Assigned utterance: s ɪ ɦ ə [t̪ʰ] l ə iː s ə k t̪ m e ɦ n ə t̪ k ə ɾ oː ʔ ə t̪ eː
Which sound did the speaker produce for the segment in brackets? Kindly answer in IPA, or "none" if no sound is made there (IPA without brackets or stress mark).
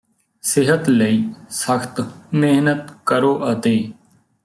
t̪